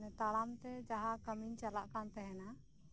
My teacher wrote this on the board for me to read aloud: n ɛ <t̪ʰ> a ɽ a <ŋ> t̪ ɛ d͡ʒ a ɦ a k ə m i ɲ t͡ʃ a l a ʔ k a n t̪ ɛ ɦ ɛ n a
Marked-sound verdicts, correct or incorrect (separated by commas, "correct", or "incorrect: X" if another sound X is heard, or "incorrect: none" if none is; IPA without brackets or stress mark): incorrect: t̪, incorrect: m